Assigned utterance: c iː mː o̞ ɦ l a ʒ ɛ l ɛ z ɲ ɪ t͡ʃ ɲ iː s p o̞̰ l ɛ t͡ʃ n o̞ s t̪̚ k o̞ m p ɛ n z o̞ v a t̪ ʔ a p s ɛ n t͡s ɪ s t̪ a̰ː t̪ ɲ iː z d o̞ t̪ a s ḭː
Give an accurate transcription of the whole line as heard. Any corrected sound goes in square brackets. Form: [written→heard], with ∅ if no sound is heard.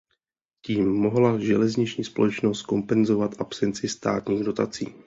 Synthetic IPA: c iː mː o̞ ɦ l a ʒ ɛ l ɛ z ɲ ɪ t͡ʃ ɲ iː s p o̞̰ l ɛ t͡ʃ n o̞ s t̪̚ k o̞ m p ɛ n z o̞ v a t̪ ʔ a p s ɛ n t͡s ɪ s t̪ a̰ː t̪ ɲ iː [z→ɣ] d o̞ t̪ a [s→t͡s] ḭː